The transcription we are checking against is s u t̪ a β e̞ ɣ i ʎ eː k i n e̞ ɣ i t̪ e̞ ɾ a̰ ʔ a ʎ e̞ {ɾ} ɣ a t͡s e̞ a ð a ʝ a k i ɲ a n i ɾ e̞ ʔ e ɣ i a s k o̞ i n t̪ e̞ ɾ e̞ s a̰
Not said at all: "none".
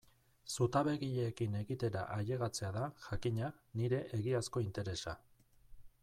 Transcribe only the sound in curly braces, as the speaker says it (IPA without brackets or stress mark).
none